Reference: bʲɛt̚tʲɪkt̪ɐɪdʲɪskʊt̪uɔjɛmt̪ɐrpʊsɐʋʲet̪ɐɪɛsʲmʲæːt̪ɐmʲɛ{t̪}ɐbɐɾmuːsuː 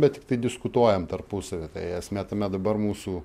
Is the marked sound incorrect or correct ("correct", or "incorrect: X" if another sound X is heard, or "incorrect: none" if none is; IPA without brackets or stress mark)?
incorrect: d̪